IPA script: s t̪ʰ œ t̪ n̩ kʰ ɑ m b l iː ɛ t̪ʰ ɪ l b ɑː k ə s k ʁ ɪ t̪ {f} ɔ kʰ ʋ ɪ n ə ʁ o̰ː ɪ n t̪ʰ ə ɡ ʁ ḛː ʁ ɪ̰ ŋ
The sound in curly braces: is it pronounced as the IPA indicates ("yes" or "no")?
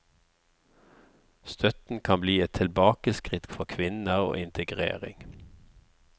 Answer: yes